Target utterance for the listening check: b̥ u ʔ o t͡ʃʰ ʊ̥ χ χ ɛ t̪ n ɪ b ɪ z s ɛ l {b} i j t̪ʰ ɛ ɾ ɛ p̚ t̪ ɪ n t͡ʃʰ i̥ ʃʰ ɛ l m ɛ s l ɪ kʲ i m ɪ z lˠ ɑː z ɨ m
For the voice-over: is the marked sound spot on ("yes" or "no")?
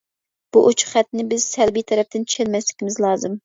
yes